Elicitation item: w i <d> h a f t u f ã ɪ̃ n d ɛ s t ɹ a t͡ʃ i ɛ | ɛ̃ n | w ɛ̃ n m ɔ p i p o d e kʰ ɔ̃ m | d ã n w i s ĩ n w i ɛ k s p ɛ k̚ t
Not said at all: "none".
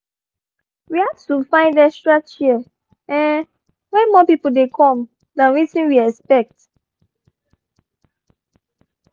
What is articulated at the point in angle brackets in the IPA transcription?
none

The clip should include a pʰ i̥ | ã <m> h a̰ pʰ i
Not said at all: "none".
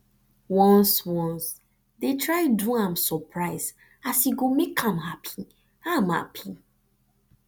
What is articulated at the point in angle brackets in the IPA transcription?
m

